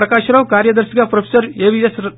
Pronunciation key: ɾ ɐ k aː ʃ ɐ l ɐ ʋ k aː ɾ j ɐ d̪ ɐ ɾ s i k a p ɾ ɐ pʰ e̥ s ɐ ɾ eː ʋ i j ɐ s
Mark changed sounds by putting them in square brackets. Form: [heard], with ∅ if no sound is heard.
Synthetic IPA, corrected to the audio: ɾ ɐ k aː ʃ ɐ [ɾ] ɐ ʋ k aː ɾ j ɐ d̪ ɐ ɾ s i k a p ɾ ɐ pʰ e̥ s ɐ ɾ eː ʋ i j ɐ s